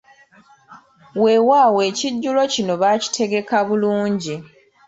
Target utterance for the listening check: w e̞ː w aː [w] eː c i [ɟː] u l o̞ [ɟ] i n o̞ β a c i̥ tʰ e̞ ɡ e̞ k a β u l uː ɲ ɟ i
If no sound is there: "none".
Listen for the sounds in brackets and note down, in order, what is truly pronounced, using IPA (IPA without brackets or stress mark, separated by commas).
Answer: w, ɟː, c